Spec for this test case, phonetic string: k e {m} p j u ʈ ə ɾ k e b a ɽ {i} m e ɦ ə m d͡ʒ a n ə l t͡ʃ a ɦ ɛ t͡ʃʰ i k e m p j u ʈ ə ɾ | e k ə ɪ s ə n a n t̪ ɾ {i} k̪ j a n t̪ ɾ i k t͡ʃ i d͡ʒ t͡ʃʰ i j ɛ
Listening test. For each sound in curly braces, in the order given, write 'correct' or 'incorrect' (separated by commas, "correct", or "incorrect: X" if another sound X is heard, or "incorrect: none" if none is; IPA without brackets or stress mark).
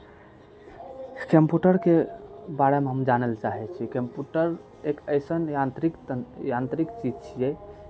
correct, incorrect: e, correct